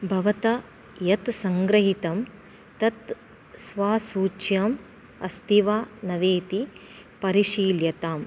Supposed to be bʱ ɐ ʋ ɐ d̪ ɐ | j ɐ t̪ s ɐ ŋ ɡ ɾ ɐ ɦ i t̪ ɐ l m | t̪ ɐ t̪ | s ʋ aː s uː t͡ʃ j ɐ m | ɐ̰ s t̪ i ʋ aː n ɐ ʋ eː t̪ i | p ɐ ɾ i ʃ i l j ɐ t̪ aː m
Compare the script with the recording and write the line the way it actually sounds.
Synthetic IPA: bʱ ɐ ʋ ɐ t̪ ɐ | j ɐ t̪ s ɐ ŋ ɡ ɾ ɐ ɦ i t̪ ɐ m | t̪ ɐ t̪ | s ʋ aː s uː t͡ʃ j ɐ m | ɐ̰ s t̪ i ʋ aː n ɐ ʋ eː t̪ i | p ɐ ɾ i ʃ iː l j ɐ t̪ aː m